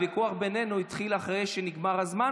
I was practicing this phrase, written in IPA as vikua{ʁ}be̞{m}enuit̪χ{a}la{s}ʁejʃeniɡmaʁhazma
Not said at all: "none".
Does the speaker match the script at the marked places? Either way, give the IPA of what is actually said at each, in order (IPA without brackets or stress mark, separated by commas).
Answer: χ, n, i, χ